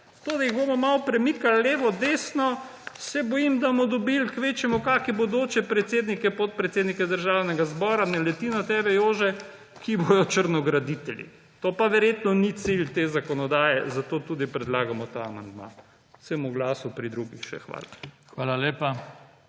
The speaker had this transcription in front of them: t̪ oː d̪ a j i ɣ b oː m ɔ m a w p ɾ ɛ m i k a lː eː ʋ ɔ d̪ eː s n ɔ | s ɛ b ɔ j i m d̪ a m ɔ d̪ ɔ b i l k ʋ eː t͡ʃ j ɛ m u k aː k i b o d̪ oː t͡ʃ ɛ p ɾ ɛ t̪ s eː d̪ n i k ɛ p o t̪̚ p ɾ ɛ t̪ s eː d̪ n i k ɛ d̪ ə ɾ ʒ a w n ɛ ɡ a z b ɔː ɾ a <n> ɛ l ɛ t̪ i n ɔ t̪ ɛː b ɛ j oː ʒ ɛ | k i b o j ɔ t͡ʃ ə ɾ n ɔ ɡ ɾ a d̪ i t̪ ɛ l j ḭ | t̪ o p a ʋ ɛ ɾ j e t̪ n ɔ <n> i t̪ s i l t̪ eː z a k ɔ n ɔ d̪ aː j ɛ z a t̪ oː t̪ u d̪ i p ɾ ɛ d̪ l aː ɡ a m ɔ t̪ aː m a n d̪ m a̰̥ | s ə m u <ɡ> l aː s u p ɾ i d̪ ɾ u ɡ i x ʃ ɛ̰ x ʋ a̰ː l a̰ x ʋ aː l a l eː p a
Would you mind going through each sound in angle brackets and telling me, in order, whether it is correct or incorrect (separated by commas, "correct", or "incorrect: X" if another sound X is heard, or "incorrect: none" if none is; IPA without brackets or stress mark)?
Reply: correct, correct, correct